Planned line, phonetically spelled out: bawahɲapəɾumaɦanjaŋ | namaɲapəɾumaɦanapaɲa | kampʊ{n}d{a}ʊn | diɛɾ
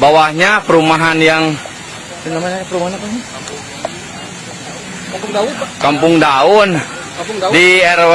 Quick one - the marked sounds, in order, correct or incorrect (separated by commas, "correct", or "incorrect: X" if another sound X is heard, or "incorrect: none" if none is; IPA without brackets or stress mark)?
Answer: incorrect: ŋ, correct